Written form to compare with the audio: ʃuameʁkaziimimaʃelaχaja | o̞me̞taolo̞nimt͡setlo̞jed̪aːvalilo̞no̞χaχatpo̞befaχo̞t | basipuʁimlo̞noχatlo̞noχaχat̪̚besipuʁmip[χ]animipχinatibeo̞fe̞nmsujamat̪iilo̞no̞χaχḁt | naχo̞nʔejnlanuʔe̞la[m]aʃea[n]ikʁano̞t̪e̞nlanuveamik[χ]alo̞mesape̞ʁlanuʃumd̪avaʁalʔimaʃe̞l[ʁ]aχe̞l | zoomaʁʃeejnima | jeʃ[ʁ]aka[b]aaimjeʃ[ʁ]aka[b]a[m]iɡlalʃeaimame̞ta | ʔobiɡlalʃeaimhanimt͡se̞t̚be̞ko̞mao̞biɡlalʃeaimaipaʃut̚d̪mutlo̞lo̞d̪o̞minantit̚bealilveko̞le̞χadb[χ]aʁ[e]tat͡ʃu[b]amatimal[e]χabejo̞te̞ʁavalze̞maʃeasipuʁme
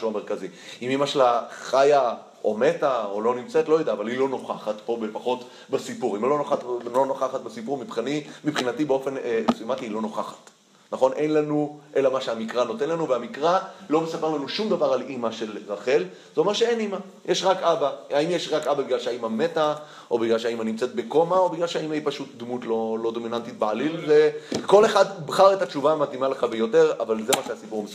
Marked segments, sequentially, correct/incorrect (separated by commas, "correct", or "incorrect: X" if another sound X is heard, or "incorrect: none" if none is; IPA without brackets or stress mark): correct, correct, incorrect: m, incorrect: ʁ, correct, correct, correct, correct, correct, incorrect: b, correct, correct, incorrect: v, correct